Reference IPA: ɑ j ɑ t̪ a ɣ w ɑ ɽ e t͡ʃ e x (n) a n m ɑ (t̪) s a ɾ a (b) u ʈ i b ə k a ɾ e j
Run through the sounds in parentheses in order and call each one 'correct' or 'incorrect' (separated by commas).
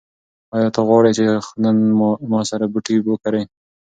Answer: correct, incorrect, correct